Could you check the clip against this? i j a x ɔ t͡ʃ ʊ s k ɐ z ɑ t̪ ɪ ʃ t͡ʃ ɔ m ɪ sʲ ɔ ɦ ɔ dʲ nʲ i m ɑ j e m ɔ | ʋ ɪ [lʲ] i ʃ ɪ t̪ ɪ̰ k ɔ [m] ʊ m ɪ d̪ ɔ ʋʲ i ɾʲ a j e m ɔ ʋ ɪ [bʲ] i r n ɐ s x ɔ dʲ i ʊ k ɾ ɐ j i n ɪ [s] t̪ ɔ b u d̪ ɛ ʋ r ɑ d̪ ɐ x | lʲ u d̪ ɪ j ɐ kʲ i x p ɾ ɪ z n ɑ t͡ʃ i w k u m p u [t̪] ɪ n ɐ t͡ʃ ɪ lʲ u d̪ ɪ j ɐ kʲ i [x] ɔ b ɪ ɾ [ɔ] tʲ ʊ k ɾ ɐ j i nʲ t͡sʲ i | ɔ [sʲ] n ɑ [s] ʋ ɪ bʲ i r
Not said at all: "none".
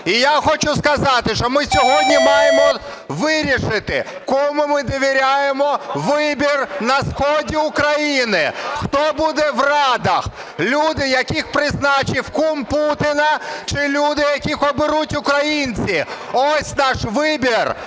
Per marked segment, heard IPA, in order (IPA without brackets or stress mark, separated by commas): ɾʲ, m, bʲ, x, t̪, x, u, sʲ, ʃ